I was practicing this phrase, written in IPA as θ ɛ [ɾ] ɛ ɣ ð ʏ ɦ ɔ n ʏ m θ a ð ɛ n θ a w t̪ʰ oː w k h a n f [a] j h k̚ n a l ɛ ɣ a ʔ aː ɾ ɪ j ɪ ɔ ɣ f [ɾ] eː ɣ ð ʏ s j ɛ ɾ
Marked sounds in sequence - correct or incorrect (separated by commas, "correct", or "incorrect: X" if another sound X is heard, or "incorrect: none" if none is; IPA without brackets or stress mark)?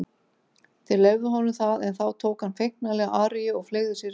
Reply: incorrect: l, incorrect: e, incorrect: l